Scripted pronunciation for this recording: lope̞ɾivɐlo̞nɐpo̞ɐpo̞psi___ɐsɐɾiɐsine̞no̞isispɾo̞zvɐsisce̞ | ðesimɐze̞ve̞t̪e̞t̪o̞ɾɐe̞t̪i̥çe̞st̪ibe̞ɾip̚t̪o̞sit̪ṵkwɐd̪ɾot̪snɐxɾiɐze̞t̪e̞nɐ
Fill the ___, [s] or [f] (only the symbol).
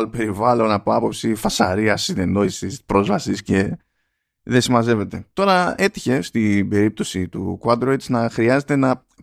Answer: f